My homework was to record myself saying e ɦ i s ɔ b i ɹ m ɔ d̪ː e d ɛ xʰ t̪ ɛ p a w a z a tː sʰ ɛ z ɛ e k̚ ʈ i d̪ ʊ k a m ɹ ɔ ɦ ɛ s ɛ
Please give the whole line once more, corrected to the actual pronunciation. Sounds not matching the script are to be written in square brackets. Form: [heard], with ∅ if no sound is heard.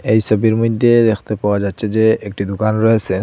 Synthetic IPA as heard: e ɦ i s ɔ b i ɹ m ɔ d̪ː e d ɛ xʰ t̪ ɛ p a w a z a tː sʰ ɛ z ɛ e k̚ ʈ i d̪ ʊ k a [n] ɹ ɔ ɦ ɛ s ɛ